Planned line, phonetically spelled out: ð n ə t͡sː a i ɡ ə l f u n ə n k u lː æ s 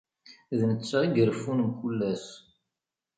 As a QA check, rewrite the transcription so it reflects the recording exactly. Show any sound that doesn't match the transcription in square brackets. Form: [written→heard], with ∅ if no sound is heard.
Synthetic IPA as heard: ð n ə t͡sː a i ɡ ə [l→ɾ] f u n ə [n→m] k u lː æ s